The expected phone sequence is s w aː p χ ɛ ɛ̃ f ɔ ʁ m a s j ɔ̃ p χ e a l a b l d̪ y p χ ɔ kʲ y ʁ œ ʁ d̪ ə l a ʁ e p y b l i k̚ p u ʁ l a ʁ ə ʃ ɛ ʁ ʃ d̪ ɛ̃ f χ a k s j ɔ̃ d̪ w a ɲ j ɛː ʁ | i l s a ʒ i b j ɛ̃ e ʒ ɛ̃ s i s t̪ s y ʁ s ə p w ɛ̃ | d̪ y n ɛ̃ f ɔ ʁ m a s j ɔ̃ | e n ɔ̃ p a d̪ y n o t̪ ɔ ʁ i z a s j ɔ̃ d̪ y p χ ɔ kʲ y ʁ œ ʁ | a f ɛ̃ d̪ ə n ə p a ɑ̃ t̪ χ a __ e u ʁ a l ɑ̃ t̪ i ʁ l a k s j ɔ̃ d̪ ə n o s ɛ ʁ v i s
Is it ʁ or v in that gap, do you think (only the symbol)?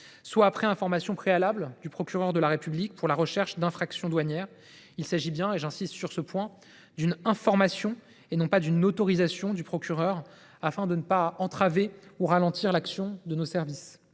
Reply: v